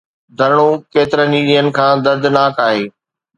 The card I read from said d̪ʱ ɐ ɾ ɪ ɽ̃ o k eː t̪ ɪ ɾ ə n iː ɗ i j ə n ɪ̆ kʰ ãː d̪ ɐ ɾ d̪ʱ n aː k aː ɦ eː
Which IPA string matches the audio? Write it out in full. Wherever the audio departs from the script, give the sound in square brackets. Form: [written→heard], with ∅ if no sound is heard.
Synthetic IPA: d̪ʱ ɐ ɾ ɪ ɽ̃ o k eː t̪ ɪ ɾ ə n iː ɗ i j ə n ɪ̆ kʰ ãː d̪ ɐ ɾ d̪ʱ n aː k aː ɦ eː